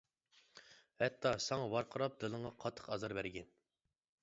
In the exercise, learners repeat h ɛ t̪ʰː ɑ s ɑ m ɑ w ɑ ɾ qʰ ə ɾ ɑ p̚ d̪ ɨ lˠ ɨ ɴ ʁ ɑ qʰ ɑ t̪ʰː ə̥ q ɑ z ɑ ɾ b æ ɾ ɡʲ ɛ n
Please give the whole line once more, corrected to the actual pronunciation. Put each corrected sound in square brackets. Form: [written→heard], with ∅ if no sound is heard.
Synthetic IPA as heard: h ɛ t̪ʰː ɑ s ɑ [m→ŋ] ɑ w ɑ ɾ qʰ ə ɾ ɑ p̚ d̪ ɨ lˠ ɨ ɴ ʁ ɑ qʰ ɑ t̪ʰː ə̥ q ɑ z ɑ ɾ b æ ɾ ɡʲ ɛ n